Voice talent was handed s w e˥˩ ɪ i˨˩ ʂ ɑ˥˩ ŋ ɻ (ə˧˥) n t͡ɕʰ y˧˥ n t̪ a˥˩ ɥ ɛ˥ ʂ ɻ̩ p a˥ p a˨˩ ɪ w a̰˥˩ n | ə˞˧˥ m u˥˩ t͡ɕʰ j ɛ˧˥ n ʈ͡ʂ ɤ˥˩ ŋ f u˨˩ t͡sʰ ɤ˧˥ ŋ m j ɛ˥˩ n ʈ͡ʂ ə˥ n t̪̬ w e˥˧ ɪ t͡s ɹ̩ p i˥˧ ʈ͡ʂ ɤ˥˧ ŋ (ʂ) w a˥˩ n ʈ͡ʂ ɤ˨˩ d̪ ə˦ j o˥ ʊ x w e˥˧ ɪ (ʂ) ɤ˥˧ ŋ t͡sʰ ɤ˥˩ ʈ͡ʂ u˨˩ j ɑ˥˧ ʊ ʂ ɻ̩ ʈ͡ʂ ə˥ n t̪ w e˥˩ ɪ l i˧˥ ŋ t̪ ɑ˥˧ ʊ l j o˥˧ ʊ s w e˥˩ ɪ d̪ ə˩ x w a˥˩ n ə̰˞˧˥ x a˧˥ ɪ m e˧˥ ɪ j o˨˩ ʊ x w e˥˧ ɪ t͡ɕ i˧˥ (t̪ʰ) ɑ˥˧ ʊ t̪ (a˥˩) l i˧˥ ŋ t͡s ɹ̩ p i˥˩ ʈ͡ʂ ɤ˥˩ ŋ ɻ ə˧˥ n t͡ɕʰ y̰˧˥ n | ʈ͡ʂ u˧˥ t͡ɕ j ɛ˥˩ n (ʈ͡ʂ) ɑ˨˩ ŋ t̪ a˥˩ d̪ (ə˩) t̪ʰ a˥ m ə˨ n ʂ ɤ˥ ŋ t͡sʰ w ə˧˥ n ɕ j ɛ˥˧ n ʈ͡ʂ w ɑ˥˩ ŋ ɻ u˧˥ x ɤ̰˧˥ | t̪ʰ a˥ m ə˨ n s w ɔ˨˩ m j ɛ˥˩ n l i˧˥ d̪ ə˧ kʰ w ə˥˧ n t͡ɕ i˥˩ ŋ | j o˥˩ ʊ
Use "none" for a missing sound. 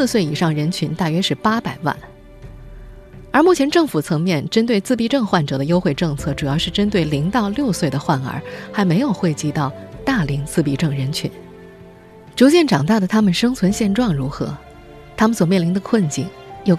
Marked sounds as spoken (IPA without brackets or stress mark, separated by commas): ə˧˥, x, ʈ͡ʂ, t̪, a˥˩, ʈ͡ʂ, ə˩